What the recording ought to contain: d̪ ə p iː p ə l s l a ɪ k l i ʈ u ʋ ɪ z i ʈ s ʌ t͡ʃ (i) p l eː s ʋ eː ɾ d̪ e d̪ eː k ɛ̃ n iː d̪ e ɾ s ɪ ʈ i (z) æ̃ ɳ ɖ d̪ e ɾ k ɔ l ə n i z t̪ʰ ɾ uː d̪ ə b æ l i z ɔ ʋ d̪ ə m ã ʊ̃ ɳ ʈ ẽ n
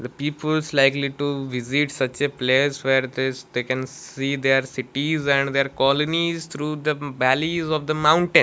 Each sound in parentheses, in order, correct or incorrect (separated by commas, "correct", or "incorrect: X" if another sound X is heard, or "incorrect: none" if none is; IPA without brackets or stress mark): incorrect: e, correct